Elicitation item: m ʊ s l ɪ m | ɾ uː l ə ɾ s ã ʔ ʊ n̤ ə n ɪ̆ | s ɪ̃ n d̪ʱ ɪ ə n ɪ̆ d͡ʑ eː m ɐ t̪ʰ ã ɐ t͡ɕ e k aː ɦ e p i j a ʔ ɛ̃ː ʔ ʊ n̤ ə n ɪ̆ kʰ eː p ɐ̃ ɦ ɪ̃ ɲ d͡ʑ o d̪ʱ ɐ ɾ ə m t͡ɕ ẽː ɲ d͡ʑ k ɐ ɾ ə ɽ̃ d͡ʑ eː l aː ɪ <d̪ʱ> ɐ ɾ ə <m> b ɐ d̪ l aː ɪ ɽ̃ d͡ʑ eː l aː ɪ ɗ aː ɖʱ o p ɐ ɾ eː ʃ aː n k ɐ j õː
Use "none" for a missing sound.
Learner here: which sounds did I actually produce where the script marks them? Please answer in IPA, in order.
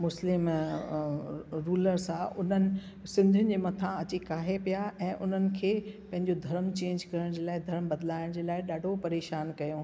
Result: d̪ʱ, m

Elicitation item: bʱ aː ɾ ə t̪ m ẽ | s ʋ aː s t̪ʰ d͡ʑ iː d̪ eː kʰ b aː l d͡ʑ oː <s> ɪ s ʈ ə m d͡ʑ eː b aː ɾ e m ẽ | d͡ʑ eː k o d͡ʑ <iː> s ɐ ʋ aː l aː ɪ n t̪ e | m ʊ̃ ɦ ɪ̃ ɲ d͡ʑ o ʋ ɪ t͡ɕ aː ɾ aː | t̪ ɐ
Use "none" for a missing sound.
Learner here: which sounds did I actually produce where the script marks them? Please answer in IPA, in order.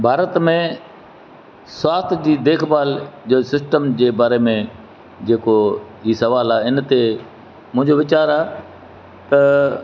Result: s, iː

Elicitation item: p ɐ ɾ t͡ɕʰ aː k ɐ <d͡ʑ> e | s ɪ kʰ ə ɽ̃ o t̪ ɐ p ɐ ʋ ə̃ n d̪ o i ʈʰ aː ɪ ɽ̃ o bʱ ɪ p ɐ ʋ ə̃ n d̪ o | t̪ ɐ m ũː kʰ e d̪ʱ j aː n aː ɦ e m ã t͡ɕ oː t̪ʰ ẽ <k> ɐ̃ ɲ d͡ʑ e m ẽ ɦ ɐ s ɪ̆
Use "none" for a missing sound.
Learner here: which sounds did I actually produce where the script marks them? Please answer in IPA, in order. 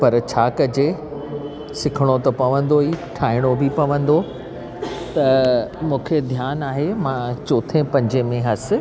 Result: d͡ʑ, p

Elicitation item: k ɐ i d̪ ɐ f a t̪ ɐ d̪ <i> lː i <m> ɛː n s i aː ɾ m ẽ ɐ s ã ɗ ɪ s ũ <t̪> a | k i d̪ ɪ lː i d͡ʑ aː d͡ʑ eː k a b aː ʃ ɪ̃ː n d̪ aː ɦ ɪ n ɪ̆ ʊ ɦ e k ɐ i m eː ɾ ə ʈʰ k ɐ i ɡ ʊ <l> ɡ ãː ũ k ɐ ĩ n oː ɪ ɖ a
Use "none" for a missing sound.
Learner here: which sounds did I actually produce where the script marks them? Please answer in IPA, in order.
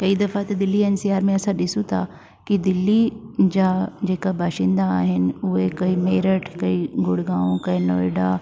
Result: ɪ, none, t̪ʰ, ɽ

